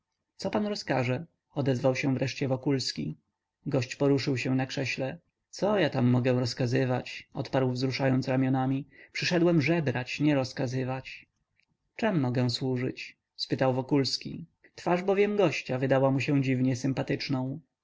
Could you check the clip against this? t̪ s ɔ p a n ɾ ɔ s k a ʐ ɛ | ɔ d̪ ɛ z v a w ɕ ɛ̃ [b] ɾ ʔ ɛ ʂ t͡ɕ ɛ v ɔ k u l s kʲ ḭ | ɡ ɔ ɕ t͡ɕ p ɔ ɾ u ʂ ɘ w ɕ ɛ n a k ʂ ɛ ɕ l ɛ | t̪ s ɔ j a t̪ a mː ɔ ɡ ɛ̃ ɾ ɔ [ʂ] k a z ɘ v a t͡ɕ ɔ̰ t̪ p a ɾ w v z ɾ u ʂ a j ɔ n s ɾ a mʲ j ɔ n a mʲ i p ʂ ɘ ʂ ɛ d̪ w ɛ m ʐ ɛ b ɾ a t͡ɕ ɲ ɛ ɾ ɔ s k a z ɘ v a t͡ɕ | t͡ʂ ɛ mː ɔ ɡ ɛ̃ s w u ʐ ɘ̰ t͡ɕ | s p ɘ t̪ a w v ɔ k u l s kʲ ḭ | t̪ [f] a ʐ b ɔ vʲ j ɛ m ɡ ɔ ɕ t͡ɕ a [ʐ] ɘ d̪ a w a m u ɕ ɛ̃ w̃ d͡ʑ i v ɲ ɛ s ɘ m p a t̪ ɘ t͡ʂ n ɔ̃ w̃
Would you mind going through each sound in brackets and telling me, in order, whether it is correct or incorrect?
incorrect: v, incorrect: s, correct, incorrect: v

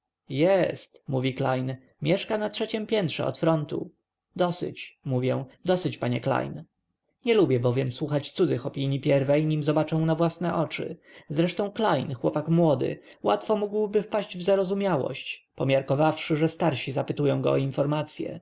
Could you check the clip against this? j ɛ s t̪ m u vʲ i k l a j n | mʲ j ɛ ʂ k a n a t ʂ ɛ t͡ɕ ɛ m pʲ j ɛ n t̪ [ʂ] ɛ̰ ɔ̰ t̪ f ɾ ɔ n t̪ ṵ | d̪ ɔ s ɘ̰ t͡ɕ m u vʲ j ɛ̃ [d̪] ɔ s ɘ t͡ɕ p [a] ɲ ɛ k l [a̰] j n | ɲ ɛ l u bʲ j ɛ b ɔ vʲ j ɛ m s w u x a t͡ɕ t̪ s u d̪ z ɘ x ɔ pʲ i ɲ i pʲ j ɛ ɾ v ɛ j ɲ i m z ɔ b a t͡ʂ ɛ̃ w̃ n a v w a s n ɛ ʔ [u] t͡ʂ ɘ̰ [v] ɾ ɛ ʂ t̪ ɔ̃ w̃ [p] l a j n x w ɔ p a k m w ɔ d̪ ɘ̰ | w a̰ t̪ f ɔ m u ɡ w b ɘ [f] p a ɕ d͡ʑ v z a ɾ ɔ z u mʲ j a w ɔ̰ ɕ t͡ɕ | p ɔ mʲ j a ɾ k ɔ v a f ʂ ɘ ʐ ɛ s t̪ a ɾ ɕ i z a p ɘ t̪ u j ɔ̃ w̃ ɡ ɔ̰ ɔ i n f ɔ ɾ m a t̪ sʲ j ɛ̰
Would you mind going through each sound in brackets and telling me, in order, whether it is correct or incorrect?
correct, correct, correct, correct, incorrect: ɔ, incorrect: z, incorrect: k, correct

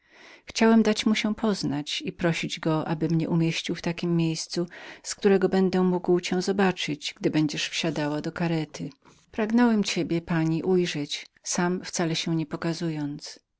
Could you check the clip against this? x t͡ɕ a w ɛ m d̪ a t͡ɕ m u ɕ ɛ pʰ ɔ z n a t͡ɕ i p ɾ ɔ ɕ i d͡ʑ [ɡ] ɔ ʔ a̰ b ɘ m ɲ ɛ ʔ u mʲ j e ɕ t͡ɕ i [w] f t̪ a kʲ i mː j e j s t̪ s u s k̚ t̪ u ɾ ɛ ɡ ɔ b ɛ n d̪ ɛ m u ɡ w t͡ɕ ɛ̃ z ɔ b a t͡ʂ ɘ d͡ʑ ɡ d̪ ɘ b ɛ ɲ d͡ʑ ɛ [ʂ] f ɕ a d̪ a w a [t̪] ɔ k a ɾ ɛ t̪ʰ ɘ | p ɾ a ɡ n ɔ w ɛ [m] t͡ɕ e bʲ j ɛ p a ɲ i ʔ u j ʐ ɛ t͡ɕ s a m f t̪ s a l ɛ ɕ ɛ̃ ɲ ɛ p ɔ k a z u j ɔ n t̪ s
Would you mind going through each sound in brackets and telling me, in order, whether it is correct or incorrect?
correct, correct, correct, incorrect: d̪, correct

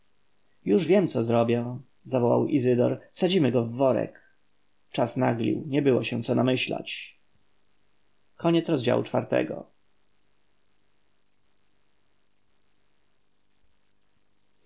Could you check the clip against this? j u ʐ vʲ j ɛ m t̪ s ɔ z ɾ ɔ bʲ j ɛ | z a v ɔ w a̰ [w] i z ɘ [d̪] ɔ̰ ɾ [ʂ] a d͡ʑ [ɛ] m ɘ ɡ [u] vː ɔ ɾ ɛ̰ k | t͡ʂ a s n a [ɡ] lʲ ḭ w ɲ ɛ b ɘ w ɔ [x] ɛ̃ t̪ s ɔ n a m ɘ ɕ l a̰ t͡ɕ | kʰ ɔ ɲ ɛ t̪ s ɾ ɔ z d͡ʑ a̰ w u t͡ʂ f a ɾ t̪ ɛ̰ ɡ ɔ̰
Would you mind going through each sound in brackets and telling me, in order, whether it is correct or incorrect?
correct, correct, incorrect: s, incorrect: i, incorrect: ɔ, correct, incorrect: ɕ

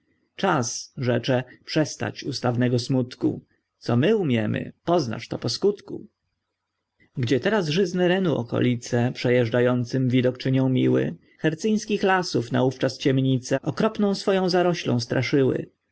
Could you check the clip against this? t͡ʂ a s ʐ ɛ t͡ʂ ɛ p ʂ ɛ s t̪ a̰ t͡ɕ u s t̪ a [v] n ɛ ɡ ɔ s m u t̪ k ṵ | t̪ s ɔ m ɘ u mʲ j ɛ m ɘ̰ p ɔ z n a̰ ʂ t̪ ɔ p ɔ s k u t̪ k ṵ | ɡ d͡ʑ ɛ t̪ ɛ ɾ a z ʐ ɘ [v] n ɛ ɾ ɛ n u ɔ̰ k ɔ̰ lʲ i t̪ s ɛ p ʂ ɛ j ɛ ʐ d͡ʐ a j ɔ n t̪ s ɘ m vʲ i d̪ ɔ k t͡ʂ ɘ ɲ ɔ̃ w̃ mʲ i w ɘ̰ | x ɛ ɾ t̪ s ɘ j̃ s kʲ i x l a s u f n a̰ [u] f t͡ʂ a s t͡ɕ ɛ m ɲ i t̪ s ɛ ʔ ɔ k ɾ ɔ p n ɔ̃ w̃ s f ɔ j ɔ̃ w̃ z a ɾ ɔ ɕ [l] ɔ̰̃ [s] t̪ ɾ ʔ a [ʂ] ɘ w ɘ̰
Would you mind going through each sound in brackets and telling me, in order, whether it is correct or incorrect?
correct, incorrect: z, correct, correct, correct, correct

